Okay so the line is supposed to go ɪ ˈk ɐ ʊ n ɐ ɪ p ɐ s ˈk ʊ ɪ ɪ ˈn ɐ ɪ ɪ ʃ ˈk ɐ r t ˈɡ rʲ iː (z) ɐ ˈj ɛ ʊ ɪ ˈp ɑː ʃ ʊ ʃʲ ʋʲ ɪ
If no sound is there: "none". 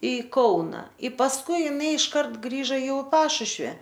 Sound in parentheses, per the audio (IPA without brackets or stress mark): ʒ